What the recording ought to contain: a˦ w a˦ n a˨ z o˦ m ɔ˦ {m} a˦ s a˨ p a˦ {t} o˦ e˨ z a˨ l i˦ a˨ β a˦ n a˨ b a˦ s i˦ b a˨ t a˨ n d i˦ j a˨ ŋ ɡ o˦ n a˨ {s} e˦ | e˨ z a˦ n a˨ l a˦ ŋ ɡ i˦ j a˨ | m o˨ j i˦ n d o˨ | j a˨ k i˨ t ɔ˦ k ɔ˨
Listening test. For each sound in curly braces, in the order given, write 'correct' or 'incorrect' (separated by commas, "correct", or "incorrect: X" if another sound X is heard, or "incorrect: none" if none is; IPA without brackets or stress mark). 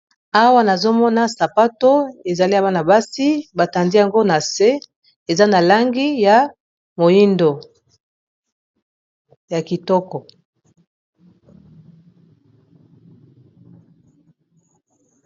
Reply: incorrect: n, correct, correct